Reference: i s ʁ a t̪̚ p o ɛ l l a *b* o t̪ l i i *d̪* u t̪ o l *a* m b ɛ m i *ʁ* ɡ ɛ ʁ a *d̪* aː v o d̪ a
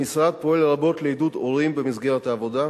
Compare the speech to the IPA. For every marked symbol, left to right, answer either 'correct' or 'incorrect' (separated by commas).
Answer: correct, correct, incorrect, incorrect, incorrect